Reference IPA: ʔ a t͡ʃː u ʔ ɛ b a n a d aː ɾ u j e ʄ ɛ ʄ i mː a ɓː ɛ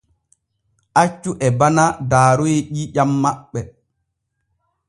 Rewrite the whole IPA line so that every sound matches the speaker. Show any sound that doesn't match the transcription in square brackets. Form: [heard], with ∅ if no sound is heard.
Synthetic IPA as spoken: ʔ a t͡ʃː u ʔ ɛ b a n a d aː ɾ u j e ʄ [i] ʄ [a] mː a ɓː ɛ